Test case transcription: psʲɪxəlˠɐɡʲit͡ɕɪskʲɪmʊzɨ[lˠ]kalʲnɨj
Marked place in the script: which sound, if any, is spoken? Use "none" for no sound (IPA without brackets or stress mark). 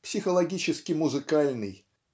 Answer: none